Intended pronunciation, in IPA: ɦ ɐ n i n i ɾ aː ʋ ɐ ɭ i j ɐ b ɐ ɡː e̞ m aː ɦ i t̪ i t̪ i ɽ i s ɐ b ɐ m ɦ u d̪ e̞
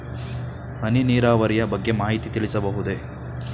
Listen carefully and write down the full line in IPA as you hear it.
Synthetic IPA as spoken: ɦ ɐ n i n iː ɾ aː ʋ ɐ ɾ i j ɐ b ɐ ɡː e̞ m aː ɦ i t̪ i t̪ i ɭ i s ɐ b ɐ ɦ u d̪ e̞